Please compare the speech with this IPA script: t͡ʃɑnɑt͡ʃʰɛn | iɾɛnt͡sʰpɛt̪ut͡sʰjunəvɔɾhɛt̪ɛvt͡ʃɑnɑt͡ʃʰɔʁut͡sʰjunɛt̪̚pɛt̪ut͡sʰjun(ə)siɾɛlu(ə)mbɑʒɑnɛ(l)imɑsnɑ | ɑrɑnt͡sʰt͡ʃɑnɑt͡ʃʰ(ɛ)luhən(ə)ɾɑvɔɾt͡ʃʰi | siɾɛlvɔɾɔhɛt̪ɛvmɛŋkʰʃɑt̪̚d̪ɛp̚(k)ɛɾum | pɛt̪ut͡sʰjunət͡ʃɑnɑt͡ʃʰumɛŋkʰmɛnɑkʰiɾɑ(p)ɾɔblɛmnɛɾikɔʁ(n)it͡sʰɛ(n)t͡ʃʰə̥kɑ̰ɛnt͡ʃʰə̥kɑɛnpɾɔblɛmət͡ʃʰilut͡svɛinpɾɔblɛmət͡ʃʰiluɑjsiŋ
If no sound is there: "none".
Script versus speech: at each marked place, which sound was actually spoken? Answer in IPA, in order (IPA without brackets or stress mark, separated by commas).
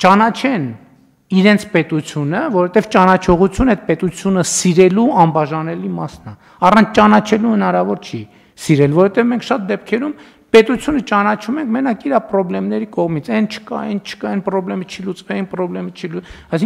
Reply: ə, ɑ, l, ɛ, ɑ, kʰ, p, m, n